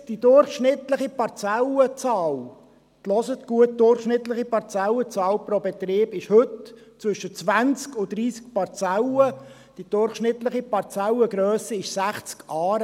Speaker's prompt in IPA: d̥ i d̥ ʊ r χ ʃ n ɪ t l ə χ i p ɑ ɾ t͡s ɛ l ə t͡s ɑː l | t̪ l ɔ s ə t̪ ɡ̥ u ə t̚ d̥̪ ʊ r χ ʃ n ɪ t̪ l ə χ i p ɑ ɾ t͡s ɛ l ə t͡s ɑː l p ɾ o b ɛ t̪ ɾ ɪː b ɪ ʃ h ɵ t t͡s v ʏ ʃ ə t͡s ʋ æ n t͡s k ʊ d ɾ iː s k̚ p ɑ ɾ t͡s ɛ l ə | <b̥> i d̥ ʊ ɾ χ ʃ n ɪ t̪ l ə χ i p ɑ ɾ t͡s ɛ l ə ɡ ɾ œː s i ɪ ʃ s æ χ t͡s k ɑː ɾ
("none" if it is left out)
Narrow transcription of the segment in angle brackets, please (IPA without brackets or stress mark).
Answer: d̥